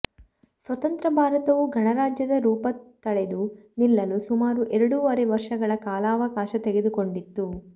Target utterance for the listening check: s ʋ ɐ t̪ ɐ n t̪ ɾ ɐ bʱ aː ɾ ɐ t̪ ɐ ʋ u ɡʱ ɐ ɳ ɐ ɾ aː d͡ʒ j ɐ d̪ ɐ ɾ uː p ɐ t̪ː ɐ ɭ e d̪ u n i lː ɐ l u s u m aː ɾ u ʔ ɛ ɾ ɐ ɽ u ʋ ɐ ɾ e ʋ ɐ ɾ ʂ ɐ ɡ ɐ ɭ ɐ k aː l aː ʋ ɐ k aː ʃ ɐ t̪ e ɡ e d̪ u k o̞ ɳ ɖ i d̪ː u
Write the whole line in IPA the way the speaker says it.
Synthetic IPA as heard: s ʋ ɐ t̪ ɐ n t̪ ɾ ɐ bʱ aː ɾ ɐ t̪ ɐ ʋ u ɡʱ ɐ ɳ ɐ ɾ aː d͡ʒ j ɐ d̪ ɐ ɾ uː p ɐ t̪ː ɐ ɭ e d̪ u n i lː ɐ l u s u m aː ɾ u ʔ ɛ ɾ ɐ ɽ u ʋ ɐ ɾ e ʋ ɐ ɾ ʂ ɐ ɡ ɐ ɭ ɐ k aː l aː ʋ ɐ k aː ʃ ɐ t̪ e ɡ e d̪ u k o̞ ɳ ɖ i t̪ː u